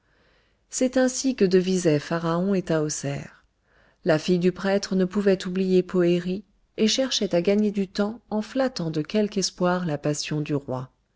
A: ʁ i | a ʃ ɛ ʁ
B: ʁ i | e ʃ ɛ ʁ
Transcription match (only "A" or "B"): B